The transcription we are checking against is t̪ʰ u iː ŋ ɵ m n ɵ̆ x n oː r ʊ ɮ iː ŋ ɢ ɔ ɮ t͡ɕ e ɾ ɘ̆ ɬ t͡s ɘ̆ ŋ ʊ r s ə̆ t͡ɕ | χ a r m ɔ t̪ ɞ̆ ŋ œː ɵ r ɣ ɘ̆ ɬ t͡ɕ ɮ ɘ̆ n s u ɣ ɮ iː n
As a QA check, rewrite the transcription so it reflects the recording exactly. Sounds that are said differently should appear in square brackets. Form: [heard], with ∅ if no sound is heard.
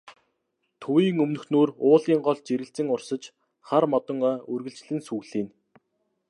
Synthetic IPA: t̪ʰ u iː ŋ ɵ m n ɵ̆ x n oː r [ʊː] ɮ iː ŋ ɢ ɔ ɮ t͡ɕ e ɾ ɘ̆ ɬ t͡s ɘ̆ ŋ ʊ r s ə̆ t͡ɕ | χ a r m ɔ t̪ ɞ̆ ŋ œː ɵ r ɣ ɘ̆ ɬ t͡ɕ ɮ ɘ̆ n s u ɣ ɮ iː n

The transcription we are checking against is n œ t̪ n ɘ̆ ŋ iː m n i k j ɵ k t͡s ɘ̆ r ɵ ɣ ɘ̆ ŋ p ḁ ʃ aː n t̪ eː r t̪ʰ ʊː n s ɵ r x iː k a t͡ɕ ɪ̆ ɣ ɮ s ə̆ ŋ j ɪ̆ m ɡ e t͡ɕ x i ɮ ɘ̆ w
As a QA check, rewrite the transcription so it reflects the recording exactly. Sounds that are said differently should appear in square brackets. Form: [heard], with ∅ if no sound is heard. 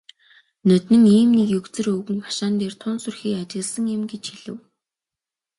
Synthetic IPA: n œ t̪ n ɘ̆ ŋ iː m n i k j ɵ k t͡s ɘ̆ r ɵ ɣ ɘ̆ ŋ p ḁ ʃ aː n t̪ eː r t̪ʰ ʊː n s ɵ r x iː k a t͡ɕ ɪ̆ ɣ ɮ s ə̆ ŋ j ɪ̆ m ɡ e t͡ɕ x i ɮ ɘ̆ w

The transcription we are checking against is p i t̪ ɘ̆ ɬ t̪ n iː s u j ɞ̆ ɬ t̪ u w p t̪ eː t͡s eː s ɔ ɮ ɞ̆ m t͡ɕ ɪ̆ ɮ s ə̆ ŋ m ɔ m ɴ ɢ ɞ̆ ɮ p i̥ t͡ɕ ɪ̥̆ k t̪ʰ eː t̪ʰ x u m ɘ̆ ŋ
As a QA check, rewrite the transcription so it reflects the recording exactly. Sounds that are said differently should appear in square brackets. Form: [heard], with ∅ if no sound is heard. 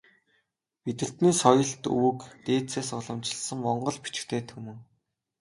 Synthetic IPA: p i t̪ ɘ̆ ɬ t̪ n iː s [ɔ] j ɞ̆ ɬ t̪ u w [k] t̪ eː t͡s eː s ɔ ɮ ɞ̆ m t͡ɕ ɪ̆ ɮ s ə̆ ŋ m ɔ [∅] ɴ ɢ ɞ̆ ɮ p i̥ t͡ɕ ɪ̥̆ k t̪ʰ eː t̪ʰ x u m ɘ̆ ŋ

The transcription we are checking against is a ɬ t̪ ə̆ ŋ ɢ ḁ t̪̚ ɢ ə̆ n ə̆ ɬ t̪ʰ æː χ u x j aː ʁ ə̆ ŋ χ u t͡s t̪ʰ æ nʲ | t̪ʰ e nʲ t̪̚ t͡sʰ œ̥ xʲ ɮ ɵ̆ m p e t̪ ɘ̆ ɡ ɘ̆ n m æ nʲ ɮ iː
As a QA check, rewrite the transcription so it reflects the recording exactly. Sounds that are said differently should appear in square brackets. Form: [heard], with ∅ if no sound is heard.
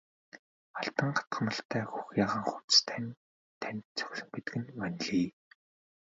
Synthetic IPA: a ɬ t̪ ə̆ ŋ ɢ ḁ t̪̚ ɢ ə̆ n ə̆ ɬ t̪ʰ æː [x] u x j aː ʁ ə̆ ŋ χ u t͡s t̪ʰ æ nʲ | t̪ʰ [æ] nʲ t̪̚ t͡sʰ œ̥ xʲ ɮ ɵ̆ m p e t̪ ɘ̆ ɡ ɘ̆ n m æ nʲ ɮ iː

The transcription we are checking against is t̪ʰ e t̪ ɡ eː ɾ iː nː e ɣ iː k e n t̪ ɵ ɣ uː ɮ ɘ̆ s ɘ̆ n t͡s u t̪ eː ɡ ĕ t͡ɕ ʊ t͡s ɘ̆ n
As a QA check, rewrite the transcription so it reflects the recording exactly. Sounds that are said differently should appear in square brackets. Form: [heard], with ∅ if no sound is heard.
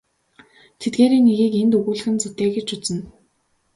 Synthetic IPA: t̪ʰ e t̪ ɡ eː ɾ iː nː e ɣ iː k e n t̪ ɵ ɣ uː ɮ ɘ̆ [x] ɘ̆ n t͡s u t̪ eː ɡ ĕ t͡ɕ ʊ t͡s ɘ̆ n

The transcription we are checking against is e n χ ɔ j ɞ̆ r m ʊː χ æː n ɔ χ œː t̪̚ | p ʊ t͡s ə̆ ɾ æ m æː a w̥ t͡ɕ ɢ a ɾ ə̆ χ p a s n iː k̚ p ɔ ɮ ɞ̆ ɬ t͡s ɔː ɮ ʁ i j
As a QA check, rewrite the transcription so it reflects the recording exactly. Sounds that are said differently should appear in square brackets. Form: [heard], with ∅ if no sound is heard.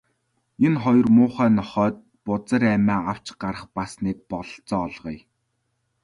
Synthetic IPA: e n χ ɔ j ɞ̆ r m ʊː χ æː n ɔ χ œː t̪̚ | p ʊ t͡s ə̆ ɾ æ m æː a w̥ t͡ɕ ɢ a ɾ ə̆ χ p a s n iː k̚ p ɔ ɮ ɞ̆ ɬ t͡s ɔː ɮ ʁ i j

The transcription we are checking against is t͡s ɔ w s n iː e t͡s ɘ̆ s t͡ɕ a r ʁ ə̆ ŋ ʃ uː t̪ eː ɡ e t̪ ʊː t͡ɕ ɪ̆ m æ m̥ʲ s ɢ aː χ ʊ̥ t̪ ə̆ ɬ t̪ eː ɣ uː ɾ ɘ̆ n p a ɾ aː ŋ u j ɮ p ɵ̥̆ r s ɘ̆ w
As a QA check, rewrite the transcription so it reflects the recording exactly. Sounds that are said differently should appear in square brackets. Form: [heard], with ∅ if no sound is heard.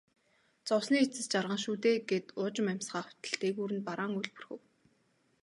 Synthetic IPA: t͡s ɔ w s n iː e t͡s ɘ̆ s t͡ɕ a r ʁ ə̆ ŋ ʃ uː t̪ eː ɡ e t̪ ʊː t͡ɕ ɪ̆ m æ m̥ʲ s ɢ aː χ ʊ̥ t̪ ə̆ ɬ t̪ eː ɣ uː ɾ ɘ̆ n p a ɾ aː ŋ u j ɮ p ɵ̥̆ r [x] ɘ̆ w

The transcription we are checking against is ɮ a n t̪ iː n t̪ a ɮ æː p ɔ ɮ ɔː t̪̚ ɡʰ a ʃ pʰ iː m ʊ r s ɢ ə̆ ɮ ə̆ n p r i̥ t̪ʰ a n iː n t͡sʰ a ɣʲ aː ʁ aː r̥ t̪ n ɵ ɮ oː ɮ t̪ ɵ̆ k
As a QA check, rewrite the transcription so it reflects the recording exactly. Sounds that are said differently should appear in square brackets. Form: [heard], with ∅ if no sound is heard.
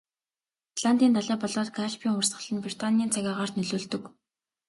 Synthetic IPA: ɮ a n t̪ iː n t̪ a ɮ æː p ɔ ɮ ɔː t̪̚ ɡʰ a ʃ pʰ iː [ŋ] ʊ r s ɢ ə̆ ɮ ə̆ n p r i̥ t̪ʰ a n iː n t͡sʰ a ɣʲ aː ʁ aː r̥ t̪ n ɵ ɮ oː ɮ t̪ ɵ̆ k

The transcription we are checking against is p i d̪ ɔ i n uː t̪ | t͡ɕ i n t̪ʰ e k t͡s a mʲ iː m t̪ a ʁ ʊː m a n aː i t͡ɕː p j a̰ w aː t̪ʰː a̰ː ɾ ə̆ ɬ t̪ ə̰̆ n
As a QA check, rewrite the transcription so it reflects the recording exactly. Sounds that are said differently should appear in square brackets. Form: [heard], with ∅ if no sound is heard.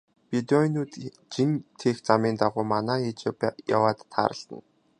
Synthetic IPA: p i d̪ ɔ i n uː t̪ | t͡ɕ i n t̪ʰ e [x] t͡s a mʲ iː [n] t̪ a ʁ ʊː m a n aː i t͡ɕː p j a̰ w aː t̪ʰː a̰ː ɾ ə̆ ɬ t̪ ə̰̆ n

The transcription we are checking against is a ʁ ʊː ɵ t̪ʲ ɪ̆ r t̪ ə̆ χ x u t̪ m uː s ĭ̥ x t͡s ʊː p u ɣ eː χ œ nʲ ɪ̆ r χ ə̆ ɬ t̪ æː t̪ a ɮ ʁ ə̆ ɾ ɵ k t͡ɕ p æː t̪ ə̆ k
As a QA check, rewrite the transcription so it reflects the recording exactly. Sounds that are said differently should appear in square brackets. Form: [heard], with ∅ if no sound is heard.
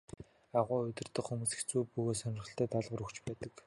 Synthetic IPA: a ʁ ʊː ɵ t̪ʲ ɪ̆ r t̪ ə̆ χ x u [∅] m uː s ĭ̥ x t͡s [uː] p u ɣ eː [s] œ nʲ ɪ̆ r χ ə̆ ɬ t̪ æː t̪ a ɮ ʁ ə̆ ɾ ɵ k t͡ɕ p æː t̪ ə̆ k

